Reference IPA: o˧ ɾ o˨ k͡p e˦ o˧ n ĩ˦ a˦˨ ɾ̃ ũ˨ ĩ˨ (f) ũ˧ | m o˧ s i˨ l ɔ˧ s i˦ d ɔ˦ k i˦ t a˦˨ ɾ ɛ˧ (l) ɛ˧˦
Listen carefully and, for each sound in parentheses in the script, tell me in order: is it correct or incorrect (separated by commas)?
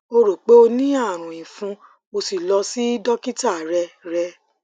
correct, incorrect